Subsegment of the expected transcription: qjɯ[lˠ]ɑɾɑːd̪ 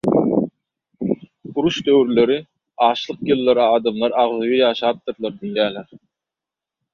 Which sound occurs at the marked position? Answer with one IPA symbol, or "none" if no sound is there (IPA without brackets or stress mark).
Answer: lˠː